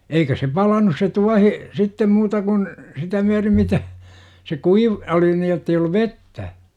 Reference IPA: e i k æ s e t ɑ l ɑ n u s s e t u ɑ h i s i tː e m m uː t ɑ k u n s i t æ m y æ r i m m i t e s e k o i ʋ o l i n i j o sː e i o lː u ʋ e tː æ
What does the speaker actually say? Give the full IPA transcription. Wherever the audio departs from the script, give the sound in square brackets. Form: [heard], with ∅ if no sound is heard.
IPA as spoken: e i k æ s e [p] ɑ l ɑ n u s s e t u ɑ h i s i tː e m m uː t ɑ k u n s i t æ m y æ r i m m i t [æ] s e k [u] i ʋ o l i n i j o [tː] e i o lː u ʋ e tː æ